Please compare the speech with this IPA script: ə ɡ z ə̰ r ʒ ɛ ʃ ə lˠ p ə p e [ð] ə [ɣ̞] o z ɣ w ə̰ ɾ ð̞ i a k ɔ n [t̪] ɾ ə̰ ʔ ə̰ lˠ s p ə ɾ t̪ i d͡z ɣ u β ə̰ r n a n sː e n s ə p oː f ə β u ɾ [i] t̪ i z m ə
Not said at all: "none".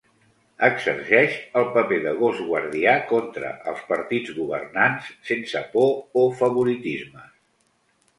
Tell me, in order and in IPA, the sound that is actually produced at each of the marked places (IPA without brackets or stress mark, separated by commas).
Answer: ð, ɣ̞, t̪, i